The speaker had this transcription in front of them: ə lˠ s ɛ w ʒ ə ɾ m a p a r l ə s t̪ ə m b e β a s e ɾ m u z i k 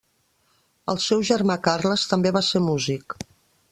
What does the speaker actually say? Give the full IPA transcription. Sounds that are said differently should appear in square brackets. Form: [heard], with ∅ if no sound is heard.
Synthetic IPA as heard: ə lˠ s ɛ w ʒ ə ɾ m a [k] a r l ə s t̪ ə m b e β a s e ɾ m u z i k